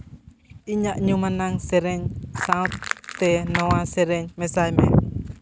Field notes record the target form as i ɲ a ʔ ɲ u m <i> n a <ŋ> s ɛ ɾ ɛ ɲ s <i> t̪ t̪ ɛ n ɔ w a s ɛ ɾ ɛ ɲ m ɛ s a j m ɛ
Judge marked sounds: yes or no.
no, yes, no

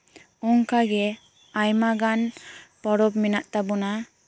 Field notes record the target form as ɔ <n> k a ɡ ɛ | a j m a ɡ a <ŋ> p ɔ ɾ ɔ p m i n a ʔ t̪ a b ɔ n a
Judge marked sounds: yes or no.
no, no

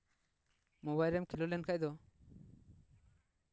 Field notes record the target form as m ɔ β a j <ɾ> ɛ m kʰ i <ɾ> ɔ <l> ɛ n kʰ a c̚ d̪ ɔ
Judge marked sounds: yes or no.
yes, no, yes

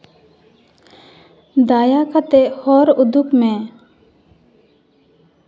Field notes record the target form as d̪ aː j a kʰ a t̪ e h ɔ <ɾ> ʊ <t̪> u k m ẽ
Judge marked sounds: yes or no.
yes, no

